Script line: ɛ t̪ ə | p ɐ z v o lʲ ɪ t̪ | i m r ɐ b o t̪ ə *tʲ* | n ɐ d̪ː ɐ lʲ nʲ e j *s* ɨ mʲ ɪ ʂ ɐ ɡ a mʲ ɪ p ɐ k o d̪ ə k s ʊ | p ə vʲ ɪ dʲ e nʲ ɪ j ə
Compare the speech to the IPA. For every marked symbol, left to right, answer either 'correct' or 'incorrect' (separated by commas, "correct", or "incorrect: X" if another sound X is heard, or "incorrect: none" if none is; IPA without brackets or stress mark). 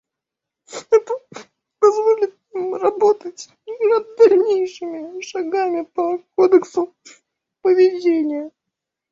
correct, incorrect: ʂ